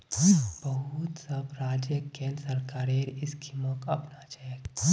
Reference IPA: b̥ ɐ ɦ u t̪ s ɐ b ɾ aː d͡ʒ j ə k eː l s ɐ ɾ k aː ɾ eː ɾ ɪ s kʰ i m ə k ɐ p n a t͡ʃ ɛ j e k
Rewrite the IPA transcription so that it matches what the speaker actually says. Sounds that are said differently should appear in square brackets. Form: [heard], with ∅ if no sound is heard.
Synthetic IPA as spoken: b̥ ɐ ɦ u t̪ s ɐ b ɾ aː d͡ʒ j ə k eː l s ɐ ɾ k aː ɾ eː ɾ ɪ s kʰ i m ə k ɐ p n a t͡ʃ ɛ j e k